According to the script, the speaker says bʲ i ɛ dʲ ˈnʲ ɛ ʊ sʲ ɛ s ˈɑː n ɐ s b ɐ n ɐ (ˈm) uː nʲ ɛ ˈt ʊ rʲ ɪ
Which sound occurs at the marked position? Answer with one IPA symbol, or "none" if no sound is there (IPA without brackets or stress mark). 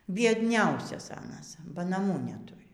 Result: m